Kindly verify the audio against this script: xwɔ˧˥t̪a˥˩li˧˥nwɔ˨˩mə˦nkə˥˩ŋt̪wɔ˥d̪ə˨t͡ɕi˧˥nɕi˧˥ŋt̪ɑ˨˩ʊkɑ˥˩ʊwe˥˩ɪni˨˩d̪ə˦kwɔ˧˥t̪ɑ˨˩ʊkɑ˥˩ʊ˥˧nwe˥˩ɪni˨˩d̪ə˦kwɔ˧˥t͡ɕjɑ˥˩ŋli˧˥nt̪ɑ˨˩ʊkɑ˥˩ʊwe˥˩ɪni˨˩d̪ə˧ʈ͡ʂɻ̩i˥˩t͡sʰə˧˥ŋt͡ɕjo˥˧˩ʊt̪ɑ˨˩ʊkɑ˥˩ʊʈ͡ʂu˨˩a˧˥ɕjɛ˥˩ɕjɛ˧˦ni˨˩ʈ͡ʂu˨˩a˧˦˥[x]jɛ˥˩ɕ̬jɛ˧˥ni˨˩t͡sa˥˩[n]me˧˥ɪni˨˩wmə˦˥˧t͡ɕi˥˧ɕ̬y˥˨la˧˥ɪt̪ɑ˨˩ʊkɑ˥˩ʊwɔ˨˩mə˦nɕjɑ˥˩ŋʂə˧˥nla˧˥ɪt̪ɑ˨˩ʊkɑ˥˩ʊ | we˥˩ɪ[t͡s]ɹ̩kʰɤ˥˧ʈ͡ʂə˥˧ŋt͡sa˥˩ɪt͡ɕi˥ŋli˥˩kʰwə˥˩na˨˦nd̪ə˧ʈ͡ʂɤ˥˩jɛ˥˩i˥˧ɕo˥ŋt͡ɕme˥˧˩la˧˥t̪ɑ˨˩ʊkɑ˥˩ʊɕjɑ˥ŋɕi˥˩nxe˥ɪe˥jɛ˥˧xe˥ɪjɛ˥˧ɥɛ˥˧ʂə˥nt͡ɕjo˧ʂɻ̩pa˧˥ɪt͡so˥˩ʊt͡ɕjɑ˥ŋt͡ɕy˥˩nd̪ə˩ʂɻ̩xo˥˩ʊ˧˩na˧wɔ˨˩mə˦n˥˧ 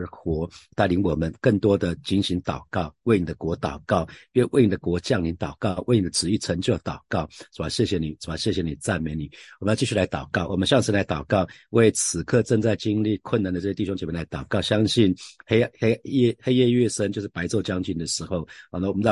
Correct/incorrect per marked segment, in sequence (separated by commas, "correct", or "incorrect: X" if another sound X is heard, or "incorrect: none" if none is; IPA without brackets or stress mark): incorrect: ɕ, correct, incorrect: t͡sʰ